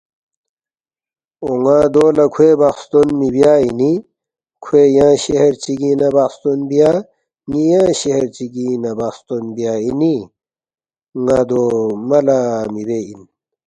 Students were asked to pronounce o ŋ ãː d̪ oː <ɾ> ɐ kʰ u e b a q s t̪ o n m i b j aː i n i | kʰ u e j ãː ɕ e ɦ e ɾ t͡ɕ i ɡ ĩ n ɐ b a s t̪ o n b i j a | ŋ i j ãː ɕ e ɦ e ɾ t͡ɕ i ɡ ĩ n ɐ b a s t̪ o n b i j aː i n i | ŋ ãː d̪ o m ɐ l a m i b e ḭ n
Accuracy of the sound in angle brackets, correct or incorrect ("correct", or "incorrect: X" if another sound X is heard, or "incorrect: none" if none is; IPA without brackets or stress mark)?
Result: incorrect: l